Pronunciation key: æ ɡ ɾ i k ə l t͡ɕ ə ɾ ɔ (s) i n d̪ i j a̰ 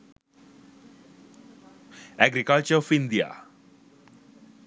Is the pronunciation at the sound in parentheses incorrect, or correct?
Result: incorrect: f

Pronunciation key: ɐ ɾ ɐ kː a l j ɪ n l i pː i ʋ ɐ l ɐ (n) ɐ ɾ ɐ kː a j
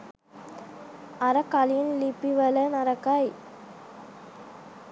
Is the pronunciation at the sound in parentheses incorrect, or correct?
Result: correct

